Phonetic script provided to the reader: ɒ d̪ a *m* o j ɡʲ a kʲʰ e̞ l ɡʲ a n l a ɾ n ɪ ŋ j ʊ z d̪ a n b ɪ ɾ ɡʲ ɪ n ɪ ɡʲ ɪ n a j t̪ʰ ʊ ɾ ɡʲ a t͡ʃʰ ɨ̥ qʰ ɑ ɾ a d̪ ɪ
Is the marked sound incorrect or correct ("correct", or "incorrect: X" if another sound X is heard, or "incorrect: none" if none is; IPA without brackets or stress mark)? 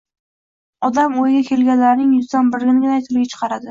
correct